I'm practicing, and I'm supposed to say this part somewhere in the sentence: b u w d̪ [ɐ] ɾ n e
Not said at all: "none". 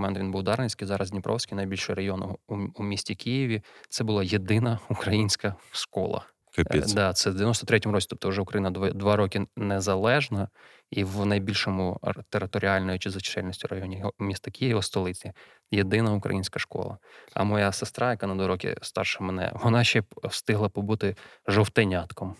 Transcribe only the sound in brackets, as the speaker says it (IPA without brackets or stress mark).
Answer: ɑ